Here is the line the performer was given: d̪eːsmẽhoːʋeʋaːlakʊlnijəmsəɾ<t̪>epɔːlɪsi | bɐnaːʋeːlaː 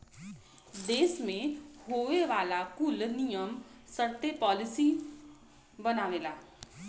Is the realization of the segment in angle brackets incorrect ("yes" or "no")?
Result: no